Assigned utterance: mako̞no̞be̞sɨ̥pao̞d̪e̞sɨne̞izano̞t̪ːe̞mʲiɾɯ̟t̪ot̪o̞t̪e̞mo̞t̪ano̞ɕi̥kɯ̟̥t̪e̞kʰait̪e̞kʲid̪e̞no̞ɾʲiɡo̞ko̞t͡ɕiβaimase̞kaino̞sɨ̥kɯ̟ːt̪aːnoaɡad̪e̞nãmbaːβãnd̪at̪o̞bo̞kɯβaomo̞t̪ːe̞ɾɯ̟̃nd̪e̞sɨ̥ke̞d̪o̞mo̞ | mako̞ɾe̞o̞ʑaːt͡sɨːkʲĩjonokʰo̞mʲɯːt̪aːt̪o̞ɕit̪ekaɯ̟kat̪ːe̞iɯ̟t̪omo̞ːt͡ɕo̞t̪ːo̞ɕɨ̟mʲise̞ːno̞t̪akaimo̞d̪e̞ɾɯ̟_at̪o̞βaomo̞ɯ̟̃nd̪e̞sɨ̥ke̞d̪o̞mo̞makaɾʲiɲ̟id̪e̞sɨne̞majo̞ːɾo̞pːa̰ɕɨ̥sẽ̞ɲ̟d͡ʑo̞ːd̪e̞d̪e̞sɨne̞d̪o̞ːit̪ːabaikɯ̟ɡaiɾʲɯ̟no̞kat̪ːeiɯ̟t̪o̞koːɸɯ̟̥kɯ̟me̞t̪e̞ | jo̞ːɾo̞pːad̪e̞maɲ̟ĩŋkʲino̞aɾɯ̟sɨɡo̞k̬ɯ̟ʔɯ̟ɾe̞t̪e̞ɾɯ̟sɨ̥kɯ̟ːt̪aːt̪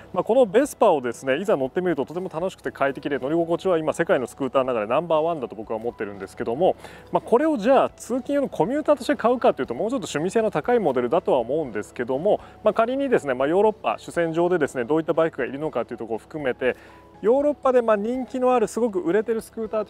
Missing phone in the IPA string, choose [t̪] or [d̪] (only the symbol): d̪